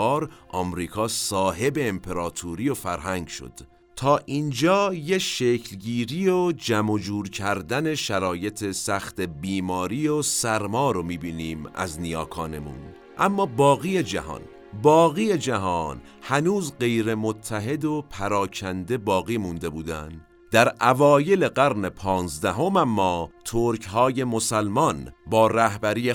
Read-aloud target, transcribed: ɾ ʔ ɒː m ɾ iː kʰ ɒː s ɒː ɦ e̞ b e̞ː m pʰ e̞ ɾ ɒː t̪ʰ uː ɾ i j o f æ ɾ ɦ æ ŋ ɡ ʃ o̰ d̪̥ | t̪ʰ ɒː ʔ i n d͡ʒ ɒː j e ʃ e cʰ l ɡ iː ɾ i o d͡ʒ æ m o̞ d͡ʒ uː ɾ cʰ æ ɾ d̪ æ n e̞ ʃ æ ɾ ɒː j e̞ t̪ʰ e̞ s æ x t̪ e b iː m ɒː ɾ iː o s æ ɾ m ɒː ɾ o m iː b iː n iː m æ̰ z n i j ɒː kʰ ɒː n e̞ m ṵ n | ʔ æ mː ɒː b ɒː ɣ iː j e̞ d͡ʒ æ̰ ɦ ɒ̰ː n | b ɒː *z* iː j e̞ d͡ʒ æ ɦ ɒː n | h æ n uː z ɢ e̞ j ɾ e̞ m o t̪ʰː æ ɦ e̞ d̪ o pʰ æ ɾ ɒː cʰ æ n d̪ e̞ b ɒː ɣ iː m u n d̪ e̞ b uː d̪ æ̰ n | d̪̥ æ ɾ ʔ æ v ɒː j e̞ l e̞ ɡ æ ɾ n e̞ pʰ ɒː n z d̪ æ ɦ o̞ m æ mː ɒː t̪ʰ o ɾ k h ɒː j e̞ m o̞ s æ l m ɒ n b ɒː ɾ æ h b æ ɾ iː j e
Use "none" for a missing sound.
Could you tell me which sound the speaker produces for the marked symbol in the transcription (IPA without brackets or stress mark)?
ɣ